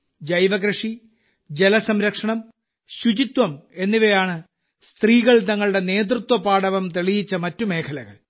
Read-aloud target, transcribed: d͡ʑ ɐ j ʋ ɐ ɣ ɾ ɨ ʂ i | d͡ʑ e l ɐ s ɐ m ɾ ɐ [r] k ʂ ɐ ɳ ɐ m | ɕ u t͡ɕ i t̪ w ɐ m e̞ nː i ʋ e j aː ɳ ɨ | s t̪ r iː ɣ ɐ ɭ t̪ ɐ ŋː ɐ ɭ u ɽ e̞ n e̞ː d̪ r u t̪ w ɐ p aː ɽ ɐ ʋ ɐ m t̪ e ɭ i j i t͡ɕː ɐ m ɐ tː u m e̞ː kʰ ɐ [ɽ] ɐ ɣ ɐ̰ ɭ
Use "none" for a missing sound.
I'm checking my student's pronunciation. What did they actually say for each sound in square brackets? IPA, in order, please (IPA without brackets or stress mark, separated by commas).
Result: none, l